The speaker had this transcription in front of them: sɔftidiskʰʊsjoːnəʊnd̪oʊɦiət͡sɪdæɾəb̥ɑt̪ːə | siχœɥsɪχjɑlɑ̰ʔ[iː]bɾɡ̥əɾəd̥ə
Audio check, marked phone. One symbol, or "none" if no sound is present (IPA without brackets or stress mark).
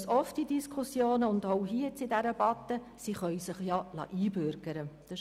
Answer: iː